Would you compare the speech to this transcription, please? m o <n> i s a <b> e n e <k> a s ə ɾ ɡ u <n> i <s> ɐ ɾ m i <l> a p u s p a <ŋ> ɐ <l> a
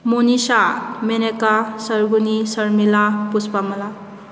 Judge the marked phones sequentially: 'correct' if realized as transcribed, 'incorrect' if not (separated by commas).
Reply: correct, incorrect, correct, correct, correct, correct, incorrect, correct